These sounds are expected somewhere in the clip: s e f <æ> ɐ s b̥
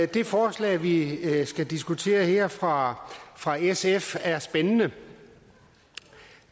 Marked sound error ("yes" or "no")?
no